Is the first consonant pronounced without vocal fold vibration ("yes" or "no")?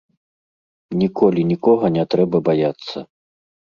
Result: no